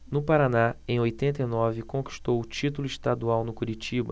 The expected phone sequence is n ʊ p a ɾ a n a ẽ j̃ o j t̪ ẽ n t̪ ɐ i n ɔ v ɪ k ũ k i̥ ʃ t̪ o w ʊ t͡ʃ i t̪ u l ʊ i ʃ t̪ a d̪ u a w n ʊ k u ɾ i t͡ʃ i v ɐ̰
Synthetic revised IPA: n ʊ p a ɾ a n a ẽ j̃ o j t̪ ẽ n t̪ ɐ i n ɔ v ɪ k õ k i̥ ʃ t̪ o w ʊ t͡ʃ i t̪ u l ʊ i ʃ t̪ a d̪ u a w n ʊ k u ɾ i t͡ʃ i b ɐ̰